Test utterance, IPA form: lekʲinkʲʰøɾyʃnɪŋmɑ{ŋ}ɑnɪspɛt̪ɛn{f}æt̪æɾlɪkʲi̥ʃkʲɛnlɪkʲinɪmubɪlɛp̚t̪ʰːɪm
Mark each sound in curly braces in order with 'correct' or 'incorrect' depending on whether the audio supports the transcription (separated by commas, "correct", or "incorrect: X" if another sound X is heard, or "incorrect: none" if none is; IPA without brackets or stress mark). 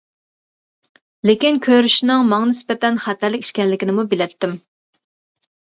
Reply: correct, incorrect: χ